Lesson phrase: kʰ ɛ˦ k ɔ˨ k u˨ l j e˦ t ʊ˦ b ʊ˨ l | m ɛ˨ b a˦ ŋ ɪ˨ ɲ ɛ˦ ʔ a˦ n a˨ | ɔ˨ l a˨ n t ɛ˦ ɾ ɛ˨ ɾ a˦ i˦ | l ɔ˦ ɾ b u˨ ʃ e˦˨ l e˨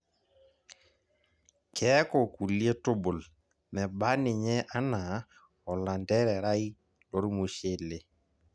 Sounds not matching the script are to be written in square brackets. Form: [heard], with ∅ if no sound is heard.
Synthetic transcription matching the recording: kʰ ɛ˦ k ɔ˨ k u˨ l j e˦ t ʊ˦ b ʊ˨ l | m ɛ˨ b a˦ [n] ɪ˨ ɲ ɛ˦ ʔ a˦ n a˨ | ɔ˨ l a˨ n [d] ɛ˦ ɾ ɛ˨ ɾ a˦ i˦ | l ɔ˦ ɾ [m] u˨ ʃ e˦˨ l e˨

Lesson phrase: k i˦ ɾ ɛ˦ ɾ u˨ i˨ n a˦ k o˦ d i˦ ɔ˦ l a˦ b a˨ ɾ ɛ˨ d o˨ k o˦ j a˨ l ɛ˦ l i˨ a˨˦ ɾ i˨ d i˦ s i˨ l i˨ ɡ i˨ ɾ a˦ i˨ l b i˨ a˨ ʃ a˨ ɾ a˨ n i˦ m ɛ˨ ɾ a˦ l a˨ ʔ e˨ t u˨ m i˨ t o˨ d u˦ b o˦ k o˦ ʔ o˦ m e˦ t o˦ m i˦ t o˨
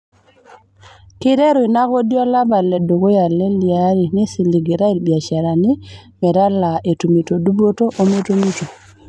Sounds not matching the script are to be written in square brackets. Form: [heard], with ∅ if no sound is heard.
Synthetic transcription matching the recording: k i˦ ɾ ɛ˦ ɾ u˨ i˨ n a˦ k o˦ d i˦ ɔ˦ l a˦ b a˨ [l] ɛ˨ d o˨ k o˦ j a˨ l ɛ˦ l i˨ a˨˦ ɾ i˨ [n] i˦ s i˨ l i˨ ɡ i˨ ɾ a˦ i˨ l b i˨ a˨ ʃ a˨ ɾ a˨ n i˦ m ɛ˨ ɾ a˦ l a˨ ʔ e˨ t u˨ m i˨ t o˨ d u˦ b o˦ [t] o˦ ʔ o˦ m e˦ t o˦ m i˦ t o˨

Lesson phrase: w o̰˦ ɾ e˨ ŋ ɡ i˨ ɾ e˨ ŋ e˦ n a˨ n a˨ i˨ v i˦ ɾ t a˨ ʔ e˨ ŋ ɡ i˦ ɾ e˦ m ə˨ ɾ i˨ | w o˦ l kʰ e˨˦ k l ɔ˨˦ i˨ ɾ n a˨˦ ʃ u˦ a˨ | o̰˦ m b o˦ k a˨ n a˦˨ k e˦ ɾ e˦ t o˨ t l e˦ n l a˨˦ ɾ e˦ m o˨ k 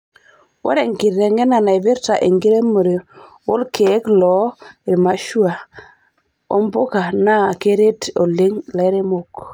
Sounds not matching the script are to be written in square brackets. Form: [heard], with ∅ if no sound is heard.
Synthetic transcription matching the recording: w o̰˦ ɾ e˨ ŋ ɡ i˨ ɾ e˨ ŋ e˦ n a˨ n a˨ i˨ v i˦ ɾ t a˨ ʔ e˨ ŋ ɡ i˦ ɾ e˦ m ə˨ ɾ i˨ | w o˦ l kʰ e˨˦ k l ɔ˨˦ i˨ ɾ [m] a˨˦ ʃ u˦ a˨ | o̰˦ m b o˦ k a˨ n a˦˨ k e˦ ɾ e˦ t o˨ [∅] l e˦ [ŋ] l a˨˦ ɾ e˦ m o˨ k

